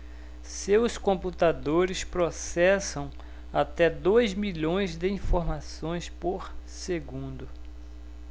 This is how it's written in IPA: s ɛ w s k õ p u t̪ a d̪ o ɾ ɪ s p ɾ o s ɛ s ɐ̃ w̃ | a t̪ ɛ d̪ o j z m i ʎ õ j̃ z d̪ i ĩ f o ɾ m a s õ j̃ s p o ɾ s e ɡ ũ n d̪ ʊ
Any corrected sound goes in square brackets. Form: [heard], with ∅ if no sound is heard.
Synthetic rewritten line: s [e] w s k õ p u t̪ a d̪ o ɾ ɪ s p ɾ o s ɛ s ɐ̃ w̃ | a t̪ ɛ d̪ o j z m i ʎ õ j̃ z d̪ [ɪ] ĩ f o ɾ m a s õ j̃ s p o ɾ s e ɡ ũ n d̪ ʊ